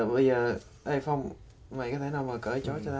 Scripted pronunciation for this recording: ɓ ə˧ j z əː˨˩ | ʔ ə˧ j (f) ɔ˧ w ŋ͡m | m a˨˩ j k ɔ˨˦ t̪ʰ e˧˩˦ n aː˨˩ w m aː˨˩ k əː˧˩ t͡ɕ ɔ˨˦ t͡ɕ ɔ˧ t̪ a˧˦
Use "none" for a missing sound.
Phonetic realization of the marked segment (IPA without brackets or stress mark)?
f